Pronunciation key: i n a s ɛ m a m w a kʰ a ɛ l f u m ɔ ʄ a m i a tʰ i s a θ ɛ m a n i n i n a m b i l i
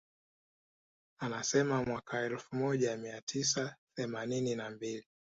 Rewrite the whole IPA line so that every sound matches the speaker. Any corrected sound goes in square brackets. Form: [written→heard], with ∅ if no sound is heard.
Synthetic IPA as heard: [i→a] n a s ɛ m a m w a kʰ a ɛ l f u m ɔ ʄ a m i a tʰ i s a θ ɛ m a n i n i n a m b i l i